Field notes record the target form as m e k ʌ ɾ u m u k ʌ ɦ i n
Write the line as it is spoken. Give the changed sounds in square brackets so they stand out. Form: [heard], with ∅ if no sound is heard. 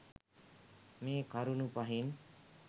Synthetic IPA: m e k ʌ ɾ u [n] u [p] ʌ ɦ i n